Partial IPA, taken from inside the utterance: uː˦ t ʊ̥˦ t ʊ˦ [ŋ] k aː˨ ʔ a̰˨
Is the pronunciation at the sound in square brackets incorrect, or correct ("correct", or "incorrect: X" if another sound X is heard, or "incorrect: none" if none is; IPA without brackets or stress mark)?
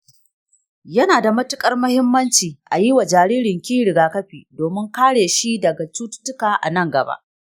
incorrect: none